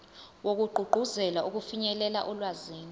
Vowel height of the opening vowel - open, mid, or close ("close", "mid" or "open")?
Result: mid